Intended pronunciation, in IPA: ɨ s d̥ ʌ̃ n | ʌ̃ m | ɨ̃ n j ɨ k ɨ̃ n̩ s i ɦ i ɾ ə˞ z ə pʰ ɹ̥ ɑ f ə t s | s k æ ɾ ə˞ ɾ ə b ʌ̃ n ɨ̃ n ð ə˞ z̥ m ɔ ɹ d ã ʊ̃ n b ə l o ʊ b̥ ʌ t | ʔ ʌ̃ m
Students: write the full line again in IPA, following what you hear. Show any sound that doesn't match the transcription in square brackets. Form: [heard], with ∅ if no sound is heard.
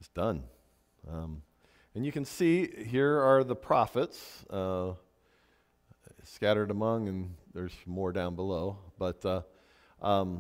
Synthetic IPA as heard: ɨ s d̥ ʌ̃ n | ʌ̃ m | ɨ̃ n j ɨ k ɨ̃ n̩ s i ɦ i [ɹ] ə˞ [ð] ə pʰ ɹ̥ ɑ f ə t s | s k æ ɾ ə˞ ɾ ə [m] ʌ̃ [ŋ] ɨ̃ n ð ə˞ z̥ m ɔ ɹ d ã ʊ̃ n b ə l o ʊ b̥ ʌ t | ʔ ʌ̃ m